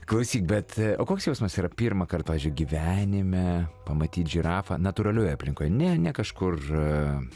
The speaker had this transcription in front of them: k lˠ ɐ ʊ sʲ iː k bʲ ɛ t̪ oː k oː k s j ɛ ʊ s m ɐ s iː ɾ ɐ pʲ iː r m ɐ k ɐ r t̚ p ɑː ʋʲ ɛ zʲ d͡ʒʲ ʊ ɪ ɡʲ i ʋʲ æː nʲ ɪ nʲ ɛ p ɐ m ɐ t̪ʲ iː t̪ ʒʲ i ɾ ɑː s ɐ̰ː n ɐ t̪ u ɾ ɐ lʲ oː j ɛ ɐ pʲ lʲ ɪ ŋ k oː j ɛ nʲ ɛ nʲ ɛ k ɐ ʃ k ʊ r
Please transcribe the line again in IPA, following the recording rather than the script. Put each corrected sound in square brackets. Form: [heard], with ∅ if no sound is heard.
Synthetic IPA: k lˠ ɐ ʊ sʲ iː k bʲ ɛ t̪ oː k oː k s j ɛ ʊ s m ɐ s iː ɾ ɐ pʲ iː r m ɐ k ɐ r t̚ p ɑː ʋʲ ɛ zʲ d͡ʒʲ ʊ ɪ ɡʲ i ʋʲ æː nʲ ɪ [mʲ] ɛ p ɐ m ɐ t̪ʲ iː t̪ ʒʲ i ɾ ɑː [f] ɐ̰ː n ɐ t̪ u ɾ ɐ lʲ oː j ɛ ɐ pʲ lʲ ɪ ŋ k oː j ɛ nʲ ɛ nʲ ɛ k ɐ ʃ k ʊ r